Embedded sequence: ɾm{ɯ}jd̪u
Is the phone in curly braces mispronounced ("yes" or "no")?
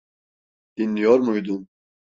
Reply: yes